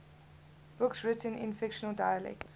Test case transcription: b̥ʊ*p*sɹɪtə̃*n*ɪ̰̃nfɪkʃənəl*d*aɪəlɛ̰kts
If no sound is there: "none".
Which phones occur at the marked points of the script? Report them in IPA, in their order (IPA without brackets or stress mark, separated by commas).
k, n, d